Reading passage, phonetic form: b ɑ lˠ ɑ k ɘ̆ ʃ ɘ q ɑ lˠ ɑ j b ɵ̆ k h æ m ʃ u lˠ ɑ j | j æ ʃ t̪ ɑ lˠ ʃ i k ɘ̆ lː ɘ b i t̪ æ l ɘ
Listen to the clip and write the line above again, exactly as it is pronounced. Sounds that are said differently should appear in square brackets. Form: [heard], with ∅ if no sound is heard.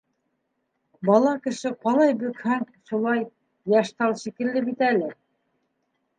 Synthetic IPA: b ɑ lˠ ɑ k ɘ̆ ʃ ɘ q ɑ lˠ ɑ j b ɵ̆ k h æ [ŋ] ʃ u lˠ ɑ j | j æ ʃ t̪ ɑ lˠ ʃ i k ɘ̆ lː ɘ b i t̪ æ l ɘ